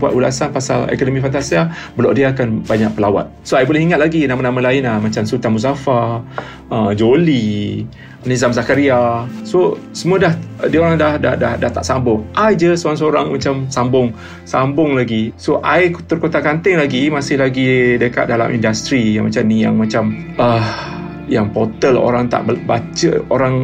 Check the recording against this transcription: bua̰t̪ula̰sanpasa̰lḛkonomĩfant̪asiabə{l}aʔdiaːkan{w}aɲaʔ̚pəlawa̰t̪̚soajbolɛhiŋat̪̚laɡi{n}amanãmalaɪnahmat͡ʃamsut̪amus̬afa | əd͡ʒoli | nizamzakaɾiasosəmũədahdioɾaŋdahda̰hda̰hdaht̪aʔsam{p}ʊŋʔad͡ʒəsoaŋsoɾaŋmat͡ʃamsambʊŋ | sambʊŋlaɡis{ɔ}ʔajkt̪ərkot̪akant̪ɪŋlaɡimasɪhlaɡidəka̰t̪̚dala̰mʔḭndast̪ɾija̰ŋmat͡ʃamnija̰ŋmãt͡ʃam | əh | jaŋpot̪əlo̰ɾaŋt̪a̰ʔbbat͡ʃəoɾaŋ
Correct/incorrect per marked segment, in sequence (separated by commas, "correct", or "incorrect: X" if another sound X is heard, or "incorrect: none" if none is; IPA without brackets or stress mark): correct, incorrect: b, correct, incorrect: b, incorrect: o